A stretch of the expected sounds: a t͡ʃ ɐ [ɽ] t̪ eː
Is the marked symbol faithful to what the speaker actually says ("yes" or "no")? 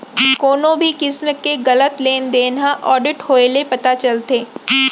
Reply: no